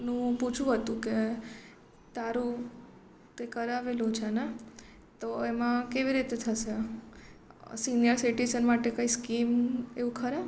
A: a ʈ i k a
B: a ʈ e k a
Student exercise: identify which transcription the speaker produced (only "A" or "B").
B